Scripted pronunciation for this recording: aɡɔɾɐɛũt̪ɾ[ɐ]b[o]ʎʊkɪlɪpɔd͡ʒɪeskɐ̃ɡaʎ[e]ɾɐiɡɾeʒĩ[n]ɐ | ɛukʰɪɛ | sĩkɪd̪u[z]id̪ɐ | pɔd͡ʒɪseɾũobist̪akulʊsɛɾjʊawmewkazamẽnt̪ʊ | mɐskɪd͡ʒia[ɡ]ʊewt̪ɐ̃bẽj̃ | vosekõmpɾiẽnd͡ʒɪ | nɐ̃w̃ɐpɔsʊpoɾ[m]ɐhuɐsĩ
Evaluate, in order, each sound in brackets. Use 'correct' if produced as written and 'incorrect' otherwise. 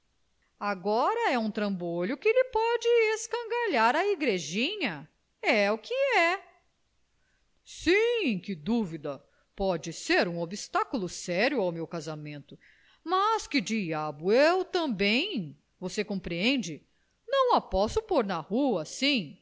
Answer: incorrect: ɐ̃, correct, incorrect: a, incorrect: ɲ, incorrect: v, incorrect: b, incorrect: n

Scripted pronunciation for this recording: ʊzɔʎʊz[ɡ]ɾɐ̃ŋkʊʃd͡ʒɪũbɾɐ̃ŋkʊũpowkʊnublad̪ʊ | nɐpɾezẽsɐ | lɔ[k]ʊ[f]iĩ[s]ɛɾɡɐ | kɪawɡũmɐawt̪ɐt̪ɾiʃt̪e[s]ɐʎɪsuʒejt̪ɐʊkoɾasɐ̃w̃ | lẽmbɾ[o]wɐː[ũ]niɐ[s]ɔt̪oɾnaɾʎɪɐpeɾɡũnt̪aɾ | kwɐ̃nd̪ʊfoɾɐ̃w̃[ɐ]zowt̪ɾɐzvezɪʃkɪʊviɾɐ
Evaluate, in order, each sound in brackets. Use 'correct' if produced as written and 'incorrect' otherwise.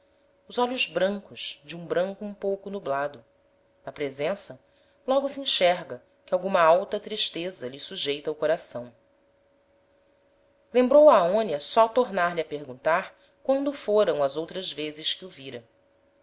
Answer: incorrect: b, incorrect: ɡ, incorrect: s, incorrect: ʃ, incorrect: z, correct, incorrect: õ, correct, correct

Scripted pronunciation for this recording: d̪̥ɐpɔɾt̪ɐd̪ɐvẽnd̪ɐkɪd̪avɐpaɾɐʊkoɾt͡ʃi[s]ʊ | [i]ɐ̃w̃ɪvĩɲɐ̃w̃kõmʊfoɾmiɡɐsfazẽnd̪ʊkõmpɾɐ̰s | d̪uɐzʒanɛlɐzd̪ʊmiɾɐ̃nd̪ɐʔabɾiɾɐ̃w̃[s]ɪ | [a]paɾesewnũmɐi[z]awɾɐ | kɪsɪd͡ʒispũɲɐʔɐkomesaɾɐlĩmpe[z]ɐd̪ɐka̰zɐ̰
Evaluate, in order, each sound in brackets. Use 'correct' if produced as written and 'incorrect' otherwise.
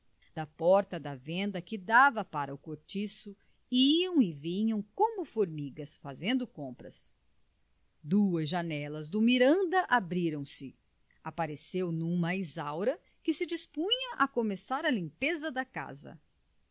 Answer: correct, correct, correct, correct, correct, correct

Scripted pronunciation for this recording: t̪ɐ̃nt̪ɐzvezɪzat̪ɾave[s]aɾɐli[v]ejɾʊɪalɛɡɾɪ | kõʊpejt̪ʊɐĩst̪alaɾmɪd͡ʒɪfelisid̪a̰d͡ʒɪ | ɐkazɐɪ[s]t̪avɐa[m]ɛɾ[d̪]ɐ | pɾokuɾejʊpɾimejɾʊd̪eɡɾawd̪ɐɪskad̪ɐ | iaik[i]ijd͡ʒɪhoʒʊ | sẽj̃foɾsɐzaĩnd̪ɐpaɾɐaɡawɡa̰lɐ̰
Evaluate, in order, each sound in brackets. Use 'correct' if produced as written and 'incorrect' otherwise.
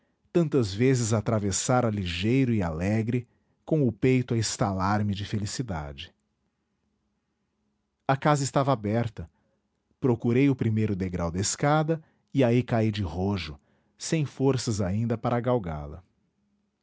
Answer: correct, incorrect: ʒ, correct, incorrect: b, incorrect: t̪, incorrect: a

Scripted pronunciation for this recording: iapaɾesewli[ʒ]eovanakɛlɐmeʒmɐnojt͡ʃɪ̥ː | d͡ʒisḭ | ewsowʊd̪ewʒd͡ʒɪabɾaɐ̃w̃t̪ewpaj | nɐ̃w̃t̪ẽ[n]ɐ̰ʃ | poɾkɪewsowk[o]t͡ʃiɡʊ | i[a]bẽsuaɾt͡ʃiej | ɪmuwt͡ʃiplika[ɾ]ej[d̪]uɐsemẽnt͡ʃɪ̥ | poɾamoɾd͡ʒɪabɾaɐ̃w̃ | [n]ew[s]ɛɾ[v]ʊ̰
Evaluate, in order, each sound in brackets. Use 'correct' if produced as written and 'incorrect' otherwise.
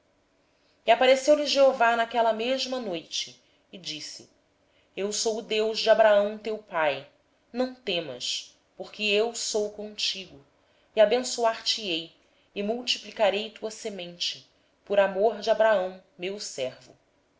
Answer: correct, incorrect: m, incorrect: õ, correct, correct, incorrect: t̪, incorrect: m, correct, correct

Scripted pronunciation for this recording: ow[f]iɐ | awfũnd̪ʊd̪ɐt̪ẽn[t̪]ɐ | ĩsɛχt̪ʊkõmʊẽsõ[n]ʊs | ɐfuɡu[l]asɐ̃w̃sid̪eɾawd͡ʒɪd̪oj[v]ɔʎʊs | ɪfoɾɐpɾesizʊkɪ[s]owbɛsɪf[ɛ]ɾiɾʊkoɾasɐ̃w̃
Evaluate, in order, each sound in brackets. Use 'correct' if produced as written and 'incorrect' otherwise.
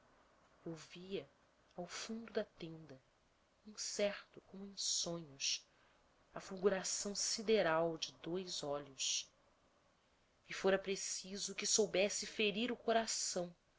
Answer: incorrect: v, incorrect: d̪, incorrect: ɲ, incorrect: ɾ, incorrect: z, correct, incorrect: e

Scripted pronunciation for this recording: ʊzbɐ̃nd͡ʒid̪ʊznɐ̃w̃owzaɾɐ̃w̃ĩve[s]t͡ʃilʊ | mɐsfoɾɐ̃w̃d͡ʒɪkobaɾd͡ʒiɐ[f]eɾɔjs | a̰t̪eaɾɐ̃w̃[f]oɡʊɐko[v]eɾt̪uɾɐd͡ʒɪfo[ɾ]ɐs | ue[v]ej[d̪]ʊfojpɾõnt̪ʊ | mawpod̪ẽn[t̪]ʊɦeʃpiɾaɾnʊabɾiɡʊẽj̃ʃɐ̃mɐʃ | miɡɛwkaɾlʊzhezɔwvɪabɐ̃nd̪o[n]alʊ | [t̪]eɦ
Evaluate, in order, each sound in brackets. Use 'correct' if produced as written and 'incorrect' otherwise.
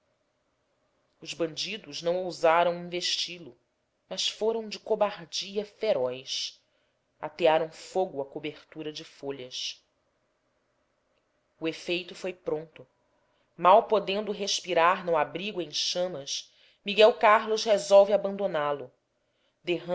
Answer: incorrect: ʃ, correct, correct, incorrect: b, incorrect: ʎ, incorrect: f, incorrect: t̪, incorrect: d̪, correct, incorrect: d̪

